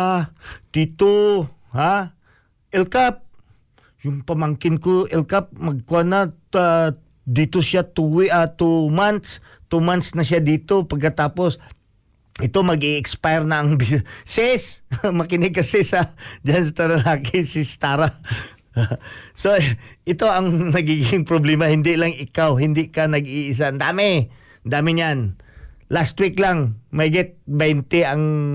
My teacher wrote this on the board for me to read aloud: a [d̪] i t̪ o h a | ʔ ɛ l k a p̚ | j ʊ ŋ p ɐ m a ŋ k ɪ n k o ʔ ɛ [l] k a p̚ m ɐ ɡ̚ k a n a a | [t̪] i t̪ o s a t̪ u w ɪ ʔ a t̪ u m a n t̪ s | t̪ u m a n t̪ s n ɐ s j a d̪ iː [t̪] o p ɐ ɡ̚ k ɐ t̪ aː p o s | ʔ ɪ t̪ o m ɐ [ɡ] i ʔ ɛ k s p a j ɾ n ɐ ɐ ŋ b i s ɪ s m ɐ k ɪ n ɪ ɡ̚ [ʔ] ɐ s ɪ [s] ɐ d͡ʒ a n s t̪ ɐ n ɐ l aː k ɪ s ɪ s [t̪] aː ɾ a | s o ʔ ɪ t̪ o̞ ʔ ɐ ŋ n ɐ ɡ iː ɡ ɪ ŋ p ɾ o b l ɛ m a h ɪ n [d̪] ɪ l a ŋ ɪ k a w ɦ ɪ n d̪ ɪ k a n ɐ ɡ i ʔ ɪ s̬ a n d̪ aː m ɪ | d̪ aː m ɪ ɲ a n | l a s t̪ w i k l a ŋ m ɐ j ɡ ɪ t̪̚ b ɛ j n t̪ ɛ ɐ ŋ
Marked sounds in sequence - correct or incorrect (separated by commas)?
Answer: incorrect, correct, incorrect, correct, correct, incorrect, correct, correct, correct